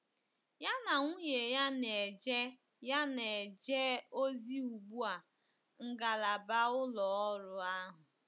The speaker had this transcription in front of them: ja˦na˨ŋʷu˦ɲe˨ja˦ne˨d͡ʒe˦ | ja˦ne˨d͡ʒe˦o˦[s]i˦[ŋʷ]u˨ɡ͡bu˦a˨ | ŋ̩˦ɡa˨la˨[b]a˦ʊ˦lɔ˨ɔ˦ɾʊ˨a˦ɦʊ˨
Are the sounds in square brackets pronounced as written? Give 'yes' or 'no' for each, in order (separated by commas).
no, no, yes